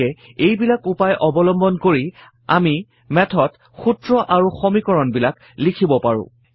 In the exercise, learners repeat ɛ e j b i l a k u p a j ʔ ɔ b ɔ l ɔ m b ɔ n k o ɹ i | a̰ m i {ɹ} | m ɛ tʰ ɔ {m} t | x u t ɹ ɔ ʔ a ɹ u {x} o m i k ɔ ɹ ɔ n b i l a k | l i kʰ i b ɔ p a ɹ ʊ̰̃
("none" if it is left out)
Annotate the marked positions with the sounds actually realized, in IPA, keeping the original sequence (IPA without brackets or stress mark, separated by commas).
none, none, x